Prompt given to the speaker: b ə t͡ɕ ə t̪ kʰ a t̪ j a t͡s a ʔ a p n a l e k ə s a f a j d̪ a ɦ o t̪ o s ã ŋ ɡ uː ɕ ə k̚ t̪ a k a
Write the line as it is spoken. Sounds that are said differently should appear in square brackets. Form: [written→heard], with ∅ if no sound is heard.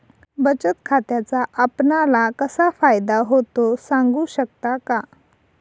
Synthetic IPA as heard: b ə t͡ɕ ə t̪ kʰ a t̪ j a t͡s a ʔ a p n a l [e→a] k ə s a f a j d̪ a ɦ o t̪ o s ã ŋ ɡ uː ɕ ə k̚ t̪ a k a